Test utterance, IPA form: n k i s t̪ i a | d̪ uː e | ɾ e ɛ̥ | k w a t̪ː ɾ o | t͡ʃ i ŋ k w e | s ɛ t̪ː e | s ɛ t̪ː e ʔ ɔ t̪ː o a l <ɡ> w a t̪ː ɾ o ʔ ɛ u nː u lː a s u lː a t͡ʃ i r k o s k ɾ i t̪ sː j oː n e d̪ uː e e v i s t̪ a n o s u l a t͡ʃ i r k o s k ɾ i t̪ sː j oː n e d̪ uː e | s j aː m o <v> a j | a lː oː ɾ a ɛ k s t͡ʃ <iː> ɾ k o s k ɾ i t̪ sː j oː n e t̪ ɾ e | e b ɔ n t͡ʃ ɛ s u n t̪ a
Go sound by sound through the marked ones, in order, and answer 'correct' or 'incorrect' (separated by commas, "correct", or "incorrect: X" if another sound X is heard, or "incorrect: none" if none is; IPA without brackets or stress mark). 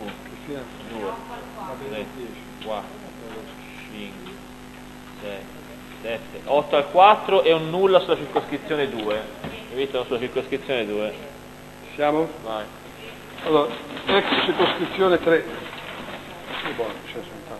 incorrect: k, correct, incorrect: i